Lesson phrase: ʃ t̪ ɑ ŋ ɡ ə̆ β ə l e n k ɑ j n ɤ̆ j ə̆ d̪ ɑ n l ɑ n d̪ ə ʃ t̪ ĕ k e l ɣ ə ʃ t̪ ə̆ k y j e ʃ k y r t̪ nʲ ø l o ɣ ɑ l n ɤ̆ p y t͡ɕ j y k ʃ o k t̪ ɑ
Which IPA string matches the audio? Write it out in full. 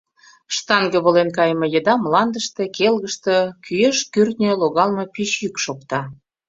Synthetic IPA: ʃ t̪ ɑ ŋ ɡ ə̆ β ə l e n k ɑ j m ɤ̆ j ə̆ d̪ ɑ m l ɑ n d̪ ə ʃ t̪ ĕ k e l ɣ ə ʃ t̪ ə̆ k y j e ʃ k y r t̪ nʲ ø l o ɣ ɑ l m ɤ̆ p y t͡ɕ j y k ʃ o k t̪ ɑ